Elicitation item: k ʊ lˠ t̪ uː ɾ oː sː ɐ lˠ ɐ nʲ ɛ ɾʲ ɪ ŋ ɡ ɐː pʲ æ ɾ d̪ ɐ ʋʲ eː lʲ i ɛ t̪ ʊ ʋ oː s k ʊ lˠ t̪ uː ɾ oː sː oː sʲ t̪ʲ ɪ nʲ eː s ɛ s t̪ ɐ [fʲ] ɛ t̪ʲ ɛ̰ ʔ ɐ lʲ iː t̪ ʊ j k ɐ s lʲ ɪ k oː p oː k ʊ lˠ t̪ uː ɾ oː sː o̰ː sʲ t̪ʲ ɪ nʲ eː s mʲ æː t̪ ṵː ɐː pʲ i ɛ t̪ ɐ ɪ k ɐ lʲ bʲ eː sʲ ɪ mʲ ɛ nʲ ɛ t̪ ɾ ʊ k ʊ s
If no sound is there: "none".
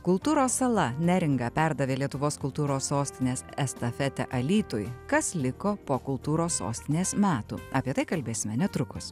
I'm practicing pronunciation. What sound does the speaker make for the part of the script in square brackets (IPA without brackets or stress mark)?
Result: fʲ